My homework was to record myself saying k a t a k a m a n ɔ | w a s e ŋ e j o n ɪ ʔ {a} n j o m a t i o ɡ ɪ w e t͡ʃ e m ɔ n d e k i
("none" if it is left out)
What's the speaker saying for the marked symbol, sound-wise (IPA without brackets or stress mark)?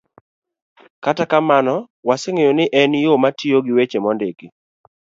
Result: ɛ